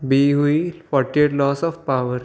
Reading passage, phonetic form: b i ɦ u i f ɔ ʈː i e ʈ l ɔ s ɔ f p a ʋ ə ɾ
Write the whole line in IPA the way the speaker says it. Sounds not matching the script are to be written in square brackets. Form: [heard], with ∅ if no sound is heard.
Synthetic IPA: b i ɦ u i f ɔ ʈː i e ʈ l ɔ s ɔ f p a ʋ ə ɾ